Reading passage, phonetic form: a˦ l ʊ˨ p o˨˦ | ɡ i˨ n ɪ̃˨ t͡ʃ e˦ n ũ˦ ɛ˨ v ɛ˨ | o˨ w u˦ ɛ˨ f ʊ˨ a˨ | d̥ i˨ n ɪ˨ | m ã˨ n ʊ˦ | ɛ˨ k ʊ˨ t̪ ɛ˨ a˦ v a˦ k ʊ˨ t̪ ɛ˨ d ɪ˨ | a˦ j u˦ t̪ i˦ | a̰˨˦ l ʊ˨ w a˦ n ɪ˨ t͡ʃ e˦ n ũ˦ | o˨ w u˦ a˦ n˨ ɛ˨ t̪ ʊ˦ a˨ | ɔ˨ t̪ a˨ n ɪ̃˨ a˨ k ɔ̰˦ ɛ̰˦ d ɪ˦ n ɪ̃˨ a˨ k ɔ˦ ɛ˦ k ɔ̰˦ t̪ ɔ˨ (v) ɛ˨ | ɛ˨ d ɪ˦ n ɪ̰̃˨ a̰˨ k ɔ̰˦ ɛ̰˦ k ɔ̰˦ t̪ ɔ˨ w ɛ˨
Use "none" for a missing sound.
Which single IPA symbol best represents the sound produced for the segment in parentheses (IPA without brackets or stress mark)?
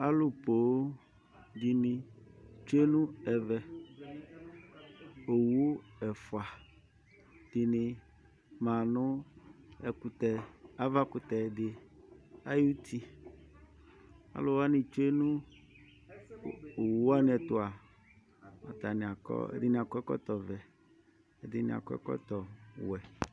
v